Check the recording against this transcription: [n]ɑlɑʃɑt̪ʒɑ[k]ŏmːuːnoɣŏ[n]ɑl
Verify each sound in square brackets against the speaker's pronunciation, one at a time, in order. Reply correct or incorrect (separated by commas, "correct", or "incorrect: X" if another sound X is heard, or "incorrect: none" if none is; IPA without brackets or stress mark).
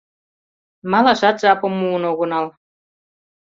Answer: incorrect: m, incorrect: p, correct